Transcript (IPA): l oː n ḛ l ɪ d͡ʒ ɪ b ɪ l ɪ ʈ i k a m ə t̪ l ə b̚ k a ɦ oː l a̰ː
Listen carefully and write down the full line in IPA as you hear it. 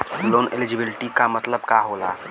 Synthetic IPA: l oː n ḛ l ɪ d͡ʒ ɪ b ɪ l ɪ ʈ i k a m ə t̪ l ə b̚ k a ɦ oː l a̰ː